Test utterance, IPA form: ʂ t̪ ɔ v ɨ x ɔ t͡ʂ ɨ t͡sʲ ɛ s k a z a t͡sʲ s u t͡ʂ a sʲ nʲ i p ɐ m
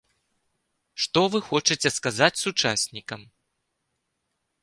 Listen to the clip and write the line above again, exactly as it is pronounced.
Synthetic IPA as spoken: ʂ t̪ ɔ v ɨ x ɔ t͡ʂ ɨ t͡sʲ ɛ s k a z a t͡sʲ s u t͡ʂ a sʲ nʲ i k ɐ m

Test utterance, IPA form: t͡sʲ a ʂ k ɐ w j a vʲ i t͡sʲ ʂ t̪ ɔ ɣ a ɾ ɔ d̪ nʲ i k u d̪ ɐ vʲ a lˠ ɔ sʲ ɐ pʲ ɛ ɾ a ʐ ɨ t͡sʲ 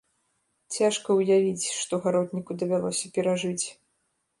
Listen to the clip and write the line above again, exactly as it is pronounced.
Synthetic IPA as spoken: t͡sʲ a ʂ k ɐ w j a vʲ i t͡sʲ ʂ t̪ ɔ ɣ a ɾ ɔ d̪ nʲ i k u d̪ ɐ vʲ a lˠ ɔ sʲ ɐ pʲ ɛ ɾ a ʐ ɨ t͡sʲ

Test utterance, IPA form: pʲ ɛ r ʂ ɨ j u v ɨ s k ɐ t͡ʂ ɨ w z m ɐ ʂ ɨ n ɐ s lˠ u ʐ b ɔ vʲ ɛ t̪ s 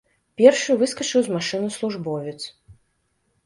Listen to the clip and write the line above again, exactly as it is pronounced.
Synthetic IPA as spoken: pʲ ɛ r ʂ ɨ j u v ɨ s k ɐ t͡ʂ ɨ w z m a ʂ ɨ n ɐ s lˠ u ʐ b ɔ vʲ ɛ t̪ s

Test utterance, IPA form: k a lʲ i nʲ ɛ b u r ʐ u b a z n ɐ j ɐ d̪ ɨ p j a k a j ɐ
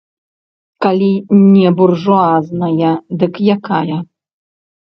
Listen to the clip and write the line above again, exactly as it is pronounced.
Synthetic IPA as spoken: k a lʲ i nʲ ɛ b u r ʐ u a z n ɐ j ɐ d̪ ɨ k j a k a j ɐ

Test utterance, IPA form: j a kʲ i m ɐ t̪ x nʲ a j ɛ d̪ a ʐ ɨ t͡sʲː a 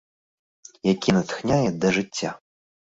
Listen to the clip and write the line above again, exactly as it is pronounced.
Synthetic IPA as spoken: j a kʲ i n ɐ t̪ x nʲ a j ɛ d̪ ɐ ʐ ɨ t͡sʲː a

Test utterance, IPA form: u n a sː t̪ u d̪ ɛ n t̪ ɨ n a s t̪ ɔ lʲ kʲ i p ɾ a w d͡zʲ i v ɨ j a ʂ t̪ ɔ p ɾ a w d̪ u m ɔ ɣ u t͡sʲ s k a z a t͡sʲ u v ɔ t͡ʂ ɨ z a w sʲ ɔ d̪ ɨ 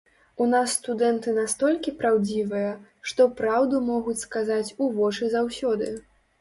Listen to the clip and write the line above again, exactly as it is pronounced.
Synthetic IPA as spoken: u n a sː t̪ u d̪ ɛ n t̪ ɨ n a s t̪ ɔ lʲ kʲ i p ɾ a w d͡zʲ i v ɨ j ɐ ʂ t̪ ɔ p ɾ a w d̪ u m ɔ ɣ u t͡sʲ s k a z a t͡sʲ u v ɔ t͡ʂ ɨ z a w sʲ ɔ d̪ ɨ

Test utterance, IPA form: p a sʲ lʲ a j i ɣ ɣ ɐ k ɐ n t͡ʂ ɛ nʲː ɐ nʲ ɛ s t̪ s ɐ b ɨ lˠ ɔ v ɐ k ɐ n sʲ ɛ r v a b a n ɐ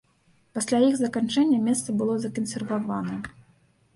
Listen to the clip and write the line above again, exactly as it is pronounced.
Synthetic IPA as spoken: p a sʲ lʲ a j i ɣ z ɐ k a n t͡ʂ ɛ nʲː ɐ mʲ ɛ s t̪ s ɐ b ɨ lˠ ɔ z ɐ k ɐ n sʲ ɛ r v a v a n ɐ

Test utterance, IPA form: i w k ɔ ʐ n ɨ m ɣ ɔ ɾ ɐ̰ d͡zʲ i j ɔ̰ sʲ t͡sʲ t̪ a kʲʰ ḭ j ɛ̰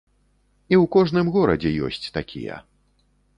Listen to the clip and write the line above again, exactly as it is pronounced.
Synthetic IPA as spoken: i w k ɔ ʐ n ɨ m ɣ ɔ ɾ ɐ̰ d͡zʲ ɛ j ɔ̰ sʲ t͡sʲ t̪ a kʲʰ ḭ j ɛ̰

